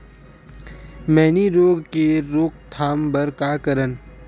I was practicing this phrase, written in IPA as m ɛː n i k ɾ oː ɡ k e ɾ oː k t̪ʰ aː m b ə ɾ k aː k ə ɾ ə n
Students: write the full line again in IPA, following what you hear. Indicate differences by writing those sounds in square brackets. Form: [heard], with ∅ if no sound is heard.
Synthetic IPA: m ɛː n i [∅] ɾ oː ɡ k e ɾ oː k t̪ʰ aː m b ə ɾ k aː k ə ɾ ə n